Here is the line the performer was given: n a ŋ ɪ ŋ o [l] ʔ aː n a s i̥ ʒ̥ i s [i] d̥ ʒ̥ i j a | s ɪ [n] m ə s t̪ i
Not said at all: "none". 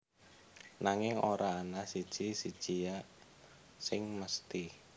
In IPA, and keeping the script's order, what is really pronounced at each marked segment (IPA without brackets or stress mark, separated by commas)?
ɾ, i, ŋ